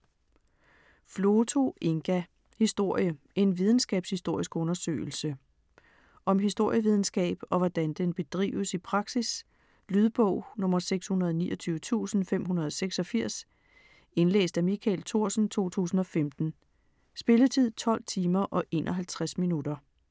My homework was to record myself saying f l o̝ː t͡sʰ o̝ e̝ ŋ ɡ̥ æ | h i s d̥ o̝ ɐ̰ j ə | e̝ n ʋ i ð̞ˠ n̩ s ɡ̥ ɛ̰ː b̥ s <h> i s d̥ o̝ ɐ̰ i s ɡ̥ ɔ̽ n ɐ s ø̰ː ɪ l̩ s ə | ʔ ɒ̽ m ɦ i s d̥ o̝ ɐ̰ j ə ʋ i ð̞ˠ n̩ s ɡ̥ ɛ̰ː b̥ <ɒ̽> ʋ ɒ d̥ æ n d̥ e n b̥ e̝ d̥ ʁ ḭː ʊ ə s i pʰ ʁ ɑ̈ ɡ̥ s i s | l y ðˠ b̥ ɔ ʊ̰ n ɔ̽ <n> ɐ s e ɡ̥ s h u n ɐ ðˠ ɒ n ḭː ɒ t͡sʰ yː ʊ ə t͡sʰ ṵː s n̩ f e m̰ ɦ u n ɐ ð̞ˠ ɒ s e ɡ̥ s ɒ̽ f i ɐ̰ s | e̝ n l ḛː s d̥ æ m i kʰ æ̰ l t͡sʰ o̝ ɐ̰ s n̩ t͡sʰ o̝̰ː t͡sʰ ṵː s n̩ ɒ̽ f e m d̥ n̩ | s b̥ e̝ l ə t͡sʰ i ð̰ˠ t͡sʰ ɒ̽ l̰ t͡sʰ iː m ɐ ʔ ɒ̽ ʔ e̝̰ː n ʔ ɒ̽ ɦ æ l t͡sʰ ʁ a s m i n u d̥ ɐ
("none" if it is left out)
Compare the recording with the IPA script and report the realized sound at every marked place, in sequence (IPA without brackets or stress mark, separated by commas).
h, ɒ̽, m